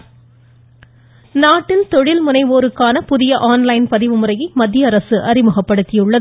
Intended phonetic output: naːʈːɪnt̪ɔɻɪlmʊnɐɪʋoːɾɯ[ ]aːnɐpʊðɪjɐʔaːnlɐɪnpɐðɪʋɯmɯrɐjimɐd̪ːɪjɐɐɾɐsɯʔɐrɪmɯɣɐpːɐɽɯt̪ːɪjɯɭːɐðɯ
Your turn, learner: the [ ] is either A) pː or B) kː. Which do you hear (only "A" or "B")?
B